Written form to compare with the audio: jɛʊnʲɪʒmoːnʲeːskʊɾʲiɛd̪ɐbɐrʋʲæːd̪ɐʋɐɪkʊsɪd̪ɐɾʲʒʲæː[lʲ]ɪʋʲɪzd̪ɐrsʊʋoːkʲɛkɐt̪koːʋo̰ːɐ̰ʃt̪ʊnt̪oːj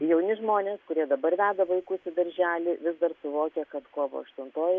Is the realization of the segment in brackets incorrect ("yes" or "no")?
no